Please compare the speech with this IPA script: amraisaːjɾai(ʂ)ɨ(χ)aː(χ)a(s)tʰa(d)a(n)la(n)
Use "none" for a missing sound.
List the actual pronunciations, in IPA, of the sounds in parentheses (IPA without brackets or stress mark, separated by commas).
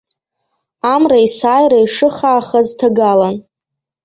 ʂ, χ, χ, z, ɡ, none, n